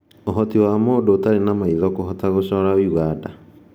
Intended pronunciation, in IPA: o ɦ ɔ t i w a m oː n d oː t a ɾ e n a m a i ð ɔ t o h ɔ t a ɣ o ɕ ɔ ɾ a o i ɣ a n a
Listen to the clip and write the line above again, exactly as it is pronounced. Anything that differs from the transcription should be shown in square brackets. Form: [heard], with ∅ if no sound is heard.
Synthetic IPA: o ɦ ɔ t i w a m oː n d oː t a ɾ e n a m a i ð ɔ [k] o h ɔ t a ɣ o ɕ ɔ ɾ a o i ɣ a [d] a